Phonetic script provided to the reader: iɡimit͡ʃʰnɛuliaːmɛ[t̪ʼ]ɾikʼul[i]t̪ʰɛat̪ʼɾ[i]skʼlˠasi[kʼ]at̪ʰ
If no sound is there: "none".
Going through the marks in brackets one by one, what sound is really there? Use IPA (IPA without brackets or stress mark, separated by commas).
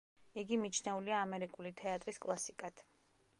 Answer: none, i, i, kʼ